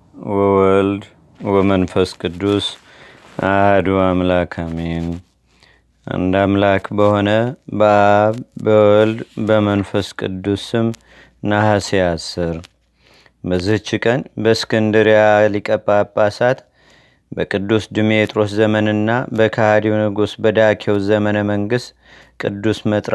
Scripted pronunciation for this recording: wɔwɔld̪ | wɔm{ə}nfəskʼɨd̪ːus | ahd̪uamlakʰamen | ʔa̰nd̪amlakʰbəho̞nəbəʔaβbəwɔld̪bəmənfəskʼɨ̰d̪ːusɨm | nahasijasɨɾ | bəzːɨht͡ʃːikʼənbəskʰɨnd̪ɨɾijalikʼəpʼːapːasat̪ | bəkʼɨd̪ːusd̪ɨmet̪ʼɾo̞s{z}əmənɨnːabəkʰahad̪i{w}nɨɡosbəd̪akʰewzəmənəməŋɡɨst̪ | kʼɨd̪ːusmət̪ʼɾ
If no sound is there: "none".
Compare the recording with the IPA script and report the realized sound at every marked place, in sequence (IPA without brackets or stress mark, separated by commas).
ə, z, w